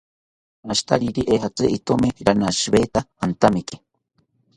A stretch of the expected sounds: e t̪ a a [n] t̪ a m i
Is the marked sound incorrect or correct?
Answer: correct